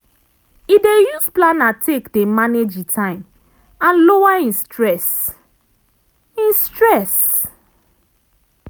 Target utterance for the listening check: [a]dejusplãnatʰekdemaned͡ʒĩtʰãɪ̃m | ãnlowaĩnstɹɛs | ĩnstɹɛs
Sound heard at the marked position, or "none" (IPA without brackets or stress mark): i